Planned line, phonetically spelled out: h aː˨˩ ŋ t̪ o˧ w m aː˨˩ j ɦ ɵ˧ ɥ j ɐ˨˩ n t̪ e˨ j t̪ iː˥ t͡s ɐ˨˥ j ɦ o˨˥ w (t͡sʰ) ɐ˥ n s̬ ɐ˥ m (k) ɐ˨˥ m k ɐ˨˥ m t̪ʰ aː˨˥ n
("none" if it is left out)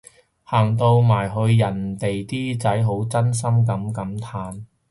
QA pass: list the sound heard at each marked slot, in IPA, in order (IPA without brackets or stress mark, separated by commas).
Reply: t͡s, k